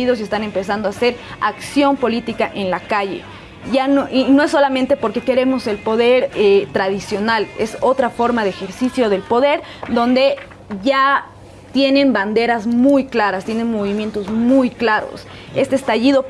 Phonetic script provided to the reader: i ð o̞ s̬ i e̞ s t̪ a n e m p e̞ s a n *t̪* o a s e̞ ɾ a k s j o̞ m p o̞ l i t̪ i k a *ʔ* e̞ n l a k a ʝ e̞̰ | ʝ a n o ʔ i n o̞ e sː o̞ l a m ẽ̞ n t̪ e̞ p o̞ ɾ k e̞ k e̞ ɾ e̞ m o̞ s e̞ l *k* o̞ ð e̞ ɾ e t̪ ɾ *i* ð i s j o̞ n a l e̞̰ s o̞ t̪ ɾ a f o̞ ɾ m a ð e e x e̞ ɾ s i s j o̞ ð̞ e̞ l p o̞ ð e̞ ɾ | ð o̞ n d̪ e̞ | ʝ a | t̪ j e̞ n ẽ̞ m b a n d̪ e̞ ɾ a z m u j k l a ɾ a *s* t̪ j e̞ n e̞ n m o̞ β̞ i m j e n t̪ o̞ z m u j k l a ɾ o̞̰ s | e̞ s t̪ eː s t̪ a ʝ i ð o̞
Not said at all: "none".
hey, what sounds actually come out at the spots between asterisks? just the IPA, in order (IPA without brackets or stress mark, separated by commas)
d̪, ʔ, p, a, s